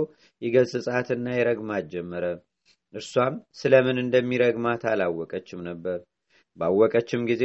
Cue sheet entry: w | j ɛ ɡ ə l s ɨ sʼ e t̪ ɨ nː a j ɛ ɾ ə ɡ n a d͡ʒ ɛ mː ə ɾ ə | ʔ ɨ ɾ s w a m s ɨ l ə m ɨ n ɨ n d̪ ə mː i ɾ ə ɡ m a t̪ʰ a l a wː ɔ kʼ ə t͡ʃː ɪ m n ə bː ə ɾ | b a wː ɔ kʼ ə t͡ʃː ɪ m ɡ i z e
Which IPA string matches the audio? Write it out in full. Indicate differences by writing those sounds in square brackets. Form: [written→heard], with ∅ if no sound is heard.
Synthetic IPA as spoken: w | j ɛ ɡ ə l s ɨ sʼ [e→a] t̪ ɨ nː a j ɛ ɾ ə ɡ [n→m] a d͡ʒ ɛ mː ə ɾ ə | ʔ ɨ ɾ s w a m s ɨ l ə m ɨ n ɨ n d̪ ə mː i ɾ ə ɡ m a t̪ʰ a l a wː ɔ kʼ ə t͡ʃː ɪ m n ə bː ə ɾ | b a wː ɔ kʼ ə t͡ʃː ɪ m ɡ i z e